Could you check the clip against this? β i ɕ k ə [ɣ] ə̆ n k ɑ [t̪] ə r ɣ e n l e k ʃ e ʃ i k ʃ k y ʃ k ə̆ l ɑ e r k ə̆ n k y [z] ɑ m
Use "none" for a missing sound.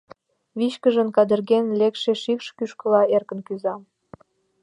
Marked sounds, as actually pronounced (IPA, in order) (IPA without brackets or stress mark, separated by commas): ʒ, d̪, z